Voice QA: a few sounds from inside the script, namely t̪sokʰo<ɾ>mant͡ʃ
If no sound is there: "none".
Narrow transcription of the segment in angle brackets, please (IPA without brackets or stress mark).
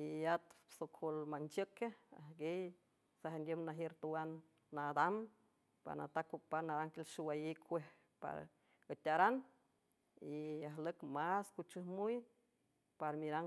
l